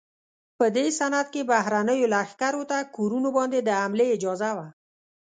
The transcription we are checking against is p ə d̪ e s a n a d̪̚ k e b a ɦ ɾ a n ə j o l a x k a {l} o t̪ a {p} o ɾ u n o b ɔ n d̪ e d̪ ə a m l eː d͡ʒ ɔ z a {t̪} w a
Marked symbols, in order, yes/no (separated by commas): no, no, no